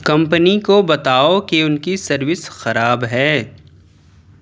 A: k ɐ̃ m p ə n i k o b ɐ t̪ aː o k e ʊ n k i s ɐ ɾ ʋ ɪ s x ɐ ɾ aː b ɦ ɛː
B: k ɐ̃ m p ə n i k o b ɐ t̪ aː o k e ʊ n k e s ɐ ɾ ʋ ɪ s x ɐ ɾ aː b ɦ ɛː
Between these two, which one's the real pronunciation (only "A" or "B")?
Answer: A